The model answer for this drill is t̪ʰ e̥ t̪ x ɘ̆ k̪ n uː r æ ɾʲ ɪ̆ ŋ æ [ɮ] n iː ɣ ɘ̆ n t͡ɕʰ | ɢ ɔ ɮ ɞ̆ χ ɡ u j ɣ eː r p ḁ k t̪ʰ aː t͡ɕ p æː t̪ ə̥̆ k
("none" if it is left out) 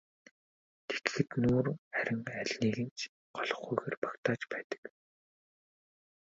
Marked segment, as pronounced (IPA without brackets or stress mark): ɮ